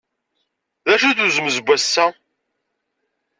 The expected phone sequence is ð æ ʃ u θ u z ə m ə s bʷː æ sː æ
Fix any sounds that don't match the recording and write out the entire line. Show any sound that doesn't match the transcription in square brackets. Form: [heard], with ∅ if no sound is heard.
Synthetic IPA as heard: ð æ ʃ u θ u z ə m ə [z] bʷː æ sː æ